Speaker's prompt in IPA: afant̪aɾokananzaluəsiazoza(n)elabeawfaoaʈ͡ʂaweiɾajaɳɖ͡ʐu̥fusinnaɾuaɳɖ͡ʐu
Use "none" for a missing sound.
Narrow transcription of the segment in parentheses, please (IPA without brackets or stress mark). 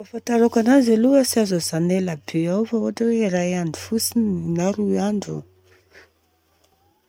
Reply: n